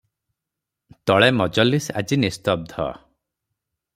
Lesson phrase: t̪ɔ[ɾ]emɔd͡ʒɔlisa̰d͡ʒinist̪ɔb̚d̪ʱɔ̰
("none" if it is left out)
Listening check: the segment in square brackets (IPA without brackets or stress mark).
ɭ